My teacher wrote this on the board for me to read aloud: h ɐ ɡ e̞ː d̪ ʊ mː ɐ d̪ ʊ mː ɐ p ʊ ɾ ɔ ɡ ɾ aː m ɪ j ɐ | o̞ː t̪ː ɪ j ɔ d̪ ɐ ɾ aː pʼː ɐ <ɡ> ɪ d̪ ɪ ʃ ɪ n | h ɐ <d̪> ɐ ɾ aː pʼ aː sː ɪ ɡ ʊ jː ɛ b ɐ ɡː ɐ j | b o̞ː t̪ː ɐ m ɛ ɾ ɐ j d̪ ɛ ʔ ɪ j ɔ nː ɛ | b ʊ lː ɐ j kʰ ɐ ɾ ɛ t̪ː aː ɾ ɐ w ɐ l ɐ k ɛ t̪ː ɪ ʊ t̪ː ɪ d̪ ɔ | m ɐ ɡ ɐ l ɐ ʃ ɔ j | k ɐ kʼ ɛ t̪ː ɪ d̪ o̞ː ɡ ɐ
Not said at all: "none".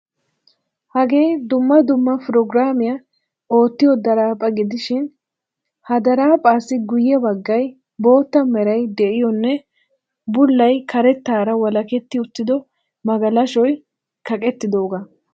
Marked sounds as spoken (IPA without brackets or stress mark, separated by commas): ɡ, d̪